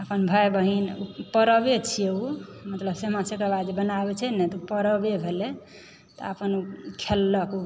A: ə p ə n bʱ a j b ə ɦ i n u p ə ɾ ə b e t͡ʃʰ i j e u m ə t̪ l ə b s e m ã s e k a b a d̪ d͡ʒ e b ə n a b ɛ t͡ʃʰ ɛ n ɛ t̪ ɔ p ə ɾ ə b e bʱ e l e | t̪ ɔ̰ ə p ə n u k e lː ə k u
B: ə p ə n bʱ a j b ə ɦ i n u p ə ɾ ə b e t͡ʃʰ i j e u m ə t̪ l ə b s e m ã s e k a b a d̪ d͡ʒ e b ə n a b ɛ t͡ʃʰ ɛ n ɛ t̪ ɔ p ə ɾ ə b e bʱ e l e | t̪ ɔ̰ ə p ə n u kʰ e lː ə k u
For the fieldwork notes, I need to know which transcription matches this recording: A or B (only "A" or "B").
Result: B